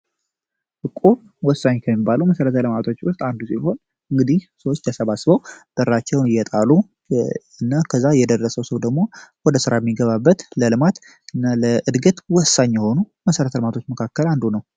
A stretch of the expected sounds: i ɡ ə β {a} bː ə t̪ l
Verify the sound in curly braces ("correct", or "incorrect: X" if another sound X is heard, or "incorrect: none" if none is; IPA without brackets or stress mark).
correct